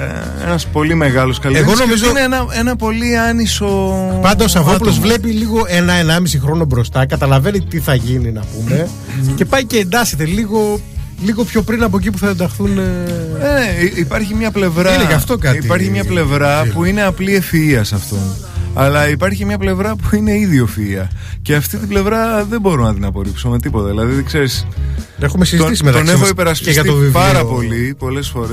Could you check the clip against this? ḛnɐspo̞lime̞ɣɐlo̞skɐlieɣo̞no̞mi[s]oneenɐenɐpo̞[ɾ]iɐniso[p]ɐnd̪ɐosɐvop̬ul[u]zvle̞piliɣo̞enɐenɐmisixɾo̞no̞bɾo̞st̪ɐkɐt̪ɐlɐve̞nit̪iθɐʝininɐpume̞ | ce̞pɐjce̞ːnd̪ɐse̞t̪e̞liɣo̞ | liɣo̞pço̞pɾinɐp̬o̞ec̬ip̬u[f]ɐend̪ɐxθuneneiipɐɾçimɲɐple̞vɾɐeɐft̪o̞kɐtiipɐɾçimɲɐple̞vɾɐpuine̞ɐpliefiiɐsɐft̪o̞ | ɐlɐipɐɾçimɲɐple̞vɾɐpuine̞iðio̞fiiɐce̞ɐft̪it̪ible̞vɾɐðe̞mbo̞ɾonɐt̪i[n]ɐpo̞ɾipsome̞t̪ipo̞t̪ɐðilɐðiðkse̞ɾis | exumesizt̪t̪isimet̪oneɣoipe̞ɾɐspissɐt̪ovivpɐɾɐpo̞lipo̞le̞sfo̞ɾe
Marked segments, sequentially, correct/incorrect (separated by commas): incorrect, incorrect, correct, incorrect, incorrect, correct